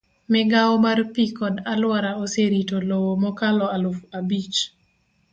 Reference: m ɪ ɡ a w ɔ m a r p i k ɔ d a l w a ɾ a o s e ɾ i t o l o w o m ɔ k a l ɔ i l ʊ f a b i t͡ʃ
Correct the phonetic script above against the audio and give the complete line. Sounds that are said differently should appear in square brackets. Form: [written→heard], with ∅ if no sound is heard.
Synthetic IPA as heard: m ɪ ɡ a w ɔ m a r p i k ɔ d a l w a ɾ a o s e ɾ i t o l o w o m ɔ k a l ɔ [i→a] l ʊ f a b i t͡ʃ